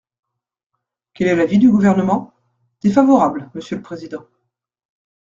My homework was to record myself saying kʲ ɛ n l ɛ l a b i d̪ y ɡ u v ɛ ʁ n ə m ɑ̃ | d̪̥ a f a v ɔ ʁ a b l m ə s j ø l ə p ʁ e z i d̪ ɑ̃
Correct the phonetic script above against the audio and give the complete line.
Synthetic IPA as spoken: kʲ ɛ l ɛ l a v i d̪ y ɡ u v ɛ ʁ n ə m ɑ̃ | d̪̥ e f a v ɔ ʁ a b l m ə s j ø l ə p χ e z i d̪ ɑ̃